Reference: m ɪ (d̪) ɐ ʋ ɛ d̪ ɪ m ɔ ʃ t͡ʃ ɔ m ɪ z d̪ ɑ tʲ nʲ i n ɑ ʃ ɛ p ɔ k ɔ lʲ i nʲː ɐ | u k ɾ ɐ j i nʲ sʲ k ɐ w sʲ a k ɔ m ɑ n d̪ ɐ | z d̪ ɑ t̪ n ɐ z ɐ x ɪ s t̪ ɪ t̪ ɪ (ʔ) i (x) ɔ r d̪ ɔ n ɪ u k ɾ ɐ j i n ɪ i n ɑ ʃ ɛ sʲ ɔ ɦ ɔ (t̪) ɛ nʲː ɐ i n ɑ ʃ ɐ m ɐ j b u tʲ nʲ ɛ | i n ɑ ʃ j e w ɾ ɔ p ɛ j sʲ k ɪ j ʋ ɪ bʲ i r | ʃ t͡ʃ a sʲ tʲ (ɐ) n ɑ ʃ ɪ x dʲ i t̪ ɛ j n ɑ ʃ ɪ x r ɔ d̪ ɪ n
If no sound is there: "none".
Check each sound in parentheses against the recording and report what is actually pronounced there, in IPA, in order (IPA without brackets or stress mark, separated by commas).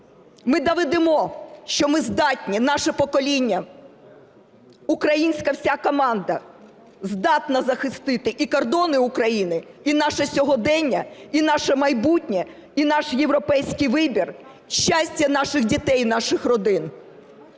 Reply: d̪, ʔ, k, d̪, ɐ